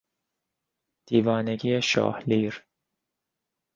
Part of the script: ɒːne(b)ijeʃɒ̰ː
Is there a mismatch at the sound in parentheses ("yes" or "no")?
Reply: yes